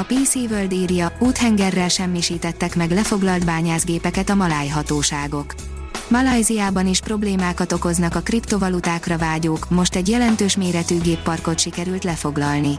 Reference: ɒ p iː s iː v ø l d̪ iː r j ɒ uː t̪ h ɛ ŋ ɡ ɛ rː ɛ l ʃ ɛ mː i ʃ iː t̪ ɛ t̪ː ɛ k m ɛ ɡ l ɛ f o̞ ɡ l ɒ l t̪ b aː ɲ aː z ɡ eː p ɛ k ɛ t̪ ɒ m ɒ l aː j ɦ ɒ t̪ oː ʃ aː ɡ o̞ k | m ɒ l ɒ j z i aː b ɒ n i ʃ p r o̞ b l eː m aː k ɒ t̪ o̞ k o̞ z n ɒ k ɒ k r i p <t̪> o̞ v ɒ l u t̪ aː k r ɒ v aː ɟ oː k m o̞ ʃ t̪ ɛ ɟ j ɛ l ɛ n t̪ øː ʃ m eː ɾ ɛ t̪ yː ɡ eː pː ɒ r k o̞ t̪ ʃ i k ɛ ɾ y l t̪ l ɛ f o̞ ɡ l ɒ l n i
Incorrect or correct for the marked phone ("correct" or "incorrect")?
correct